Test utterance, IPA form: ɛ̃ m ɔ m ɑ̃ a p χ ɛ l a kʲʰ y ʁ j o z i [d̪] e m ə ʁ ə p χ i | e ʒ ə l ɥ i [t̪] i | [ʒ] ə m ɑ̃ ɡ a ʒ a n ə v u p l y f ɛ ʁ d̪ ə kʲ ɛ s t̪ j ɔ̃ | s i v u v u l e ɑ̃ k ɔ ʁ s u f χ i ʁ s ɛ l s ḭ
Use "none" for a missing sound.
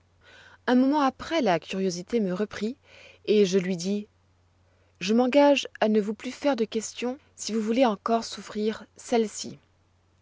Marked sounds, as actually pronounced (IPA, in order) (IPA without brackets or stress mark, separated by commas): t̪, d̪, ʒ